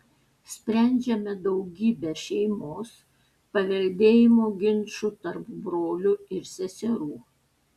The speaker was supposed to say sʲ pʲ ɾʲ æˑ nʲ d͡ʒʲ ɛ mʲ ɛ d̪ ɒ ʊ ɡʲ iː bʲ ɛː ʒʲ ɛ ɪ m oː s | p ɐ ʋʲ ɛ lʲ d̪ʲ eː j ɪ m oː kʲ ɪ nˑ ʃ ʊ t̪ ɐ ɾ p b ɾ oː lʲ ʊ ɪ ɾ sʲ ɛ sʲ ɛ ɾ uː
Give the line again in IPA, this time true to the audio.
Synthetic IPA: sʲ pʲ ɾʲ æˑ nʲ d͡ʒʲ ɛ mʲ ɛ d̪ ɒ ʊ ɡʲ iː bʲ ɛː ʃʲ ɛ ɪ m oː s | p ɐ ʋʲ ɛ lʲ d̪ʲ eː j ɪ m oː ɡʲ ɪ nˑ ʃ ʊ t̪ ɐ ɾ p b ɾ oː lʲ ʊ ɪ ɾ sʲ ɛ sʲ ɛ ɾ uː